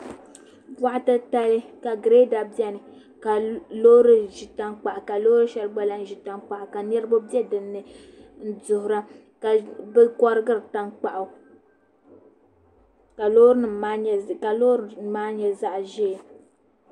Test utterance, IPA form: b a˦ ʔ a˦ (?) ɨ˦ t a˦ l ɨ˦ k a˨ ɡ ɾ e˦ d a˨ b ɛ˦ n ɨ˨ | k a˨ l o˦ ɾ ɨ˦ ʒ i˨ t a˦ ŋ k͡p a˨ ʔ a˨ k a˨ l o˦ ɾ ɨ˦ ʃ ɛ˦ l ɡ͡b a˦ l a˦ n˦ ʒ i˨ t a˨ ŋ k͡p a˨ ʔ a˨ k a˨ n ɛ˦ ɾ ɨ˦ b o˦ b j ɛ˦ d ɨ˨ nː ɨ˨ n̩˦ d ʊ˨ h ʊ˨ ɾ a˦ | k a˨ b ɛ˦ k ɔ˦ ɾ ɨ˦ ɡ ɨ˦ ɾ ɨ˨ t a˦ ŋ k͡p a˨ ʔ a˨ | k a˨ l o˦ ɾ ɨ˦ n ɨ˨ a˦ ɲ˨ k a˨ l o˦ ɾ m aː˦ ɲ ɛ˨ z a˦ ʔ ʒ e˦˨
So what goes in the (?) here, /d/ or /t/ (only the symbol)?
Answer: t